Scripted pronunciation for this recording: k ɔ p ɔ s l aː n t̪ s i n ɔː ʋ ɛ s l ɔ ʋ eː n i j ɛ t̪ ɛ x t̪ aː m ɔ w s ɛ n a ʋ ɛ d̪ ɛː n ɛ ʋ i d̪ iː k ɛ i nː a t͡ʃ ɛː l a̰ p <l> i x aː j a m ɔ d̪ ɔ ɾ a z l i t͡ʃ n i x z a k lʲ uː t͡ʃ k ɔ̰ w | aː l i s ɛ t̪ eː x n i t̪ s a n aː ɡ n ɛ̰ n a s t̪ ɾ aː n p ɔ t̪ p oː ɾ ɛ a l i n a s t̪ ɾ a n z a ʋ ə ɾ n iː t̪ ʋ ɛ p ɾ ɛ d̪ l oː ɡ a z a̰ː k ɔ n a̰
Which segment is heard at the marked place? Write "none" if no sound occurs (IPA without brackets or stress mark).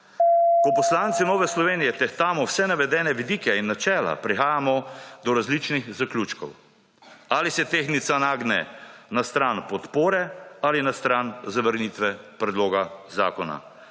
ɾ